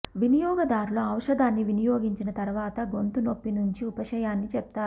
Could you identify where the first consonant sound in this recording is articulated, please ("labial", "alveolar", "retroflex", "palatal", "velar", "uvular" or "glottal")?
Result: labial